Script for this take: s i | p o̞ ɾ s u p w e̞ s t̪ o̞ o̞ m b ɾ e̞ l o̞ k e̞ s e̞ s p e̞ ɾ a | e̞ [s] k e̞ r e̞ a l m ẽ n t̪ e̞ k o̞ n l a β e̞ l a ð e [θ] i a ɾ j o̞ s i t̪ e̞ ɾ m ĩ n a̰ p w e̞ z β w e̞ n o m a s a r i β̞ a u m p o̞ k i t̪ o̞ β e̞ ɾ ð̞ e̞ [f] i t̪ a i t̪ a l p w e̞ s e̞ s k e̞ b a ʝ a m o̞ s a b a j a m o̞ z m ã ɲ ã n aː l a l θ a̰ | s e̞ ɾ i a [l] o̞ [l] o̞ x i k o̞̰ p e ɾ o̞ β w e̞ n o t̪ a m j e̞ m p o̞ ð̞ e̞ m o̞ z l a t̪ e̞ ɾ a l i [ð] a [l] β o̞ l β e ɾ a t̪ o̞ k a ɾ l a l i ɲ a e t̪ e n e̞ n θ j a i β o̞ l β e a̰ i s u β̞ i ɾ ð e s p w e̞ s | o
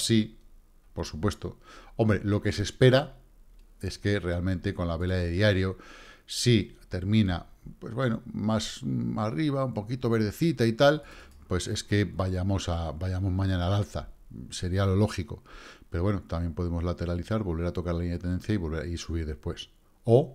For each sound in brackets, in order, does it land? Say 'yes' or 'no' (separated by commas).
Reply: yes, no, no, yes, yes, no, no